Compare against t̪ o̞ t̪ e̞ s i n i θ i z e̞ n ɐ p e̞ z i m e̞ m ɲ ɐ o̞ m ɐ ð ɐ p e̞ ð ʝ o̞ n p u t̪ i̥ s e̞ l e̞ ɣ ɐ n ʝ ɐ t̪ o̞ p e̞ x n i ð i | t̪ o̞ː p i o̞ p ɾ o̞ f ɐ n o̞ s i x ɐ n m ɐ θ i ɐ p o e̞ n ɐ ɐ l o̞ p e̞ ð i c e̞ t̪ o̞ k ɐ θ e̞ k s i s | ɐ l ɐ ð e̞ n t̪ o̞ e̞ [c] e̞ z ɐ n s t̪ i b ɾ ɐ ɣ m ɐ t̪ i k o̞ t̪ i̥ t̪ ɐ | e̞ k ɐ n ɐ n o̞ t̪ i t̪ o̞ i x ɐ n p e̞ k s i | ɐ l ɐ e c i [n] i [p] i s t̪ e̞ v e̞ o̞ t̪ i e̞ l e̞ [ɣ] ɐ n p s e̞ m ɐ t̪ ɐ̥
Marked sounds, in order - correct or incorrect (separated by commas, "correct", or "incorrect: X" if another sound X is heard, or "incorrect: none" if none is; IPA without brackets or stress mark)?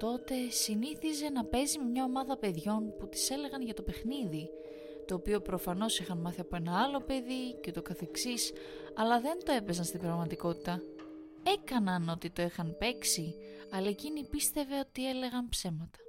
incorrect: p, correct, correct, correct